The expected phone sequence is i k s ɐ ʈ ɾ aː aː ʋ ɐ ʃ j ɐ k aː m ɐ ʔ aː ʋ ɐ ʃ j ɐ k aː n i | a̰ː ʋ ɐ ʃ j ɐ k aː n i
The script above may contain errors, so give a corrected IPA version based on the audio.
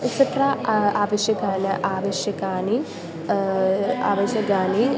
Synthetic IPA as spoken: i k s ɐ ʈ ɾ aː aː ʋ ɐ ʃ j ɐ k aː n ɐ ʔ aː ʋ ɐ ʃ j ɐ k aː n i | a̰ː ʋ ɐ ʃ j ɐ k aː n i